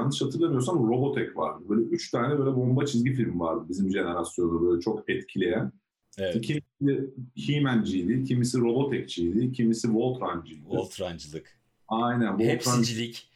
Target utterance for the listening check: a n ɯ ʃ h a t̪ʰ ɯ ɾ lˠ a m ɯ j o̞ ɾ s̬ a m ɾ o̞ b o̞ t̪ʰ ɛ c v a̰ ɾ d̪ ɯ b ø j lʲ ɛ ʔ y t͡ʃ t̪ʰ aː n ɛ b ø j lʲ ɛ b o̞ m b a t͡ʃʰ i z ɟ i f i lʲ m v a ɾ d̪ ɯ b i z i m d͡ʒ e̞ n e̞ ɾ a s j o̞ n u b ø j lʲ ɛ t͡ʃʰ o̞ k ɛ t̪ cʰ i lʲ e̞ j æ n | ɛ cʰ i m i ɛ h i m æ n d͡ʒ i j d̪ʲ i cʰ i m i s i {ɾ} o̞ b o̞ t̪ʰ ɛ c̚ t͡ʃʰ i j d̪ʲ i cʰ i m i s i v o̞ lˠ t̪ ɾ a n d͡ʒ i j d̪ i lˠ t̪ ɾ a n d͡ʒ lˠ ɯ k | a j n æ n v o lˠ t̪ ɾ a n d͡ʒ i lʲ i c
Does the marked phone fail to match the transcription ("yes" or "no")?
no